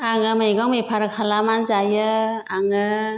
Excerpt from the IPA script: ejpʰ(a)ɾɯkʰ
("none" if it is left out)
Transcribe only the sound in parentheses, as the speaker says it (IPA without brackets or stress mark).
a